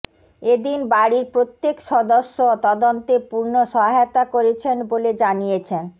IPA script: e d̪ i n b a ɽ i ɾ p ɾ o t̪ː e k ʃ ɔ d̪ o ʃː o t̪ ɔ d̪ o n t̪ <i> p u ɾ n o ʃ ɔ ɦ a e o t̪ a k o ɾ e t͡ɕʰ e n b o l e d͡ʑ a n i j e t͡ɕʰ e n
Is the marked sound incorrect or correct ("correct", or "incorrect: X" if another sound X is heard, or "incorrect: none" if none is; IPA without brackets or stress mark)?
incorrect: e